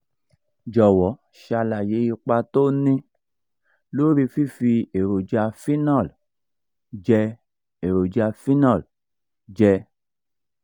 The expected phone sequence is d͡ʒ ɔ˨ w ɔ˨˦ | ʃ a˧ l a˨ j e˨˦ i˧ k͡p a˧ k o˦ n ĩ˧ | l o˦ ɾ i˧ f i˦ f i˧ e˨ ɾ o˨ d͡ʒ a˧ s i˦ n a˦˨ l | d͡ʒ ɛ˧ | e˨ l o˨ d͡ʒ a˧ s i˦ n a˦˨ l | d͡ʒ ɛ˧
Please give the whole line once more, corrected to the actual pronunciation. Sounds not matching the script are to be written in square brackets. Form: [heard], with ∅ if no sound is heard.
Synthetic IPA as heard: d͡ʒ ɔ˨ w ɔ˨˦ | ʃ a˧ l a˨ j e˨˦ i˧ k͡p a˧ [t] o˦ n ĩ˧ | l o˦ ɾ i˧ f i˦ f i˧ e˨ ɾ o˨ d͡ʒ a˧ [f] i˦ n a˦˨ l | d͡ʒ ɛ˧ | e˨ [ɾ] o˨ d͡ʒ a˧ [f] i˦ n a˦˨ l | d͡ʒ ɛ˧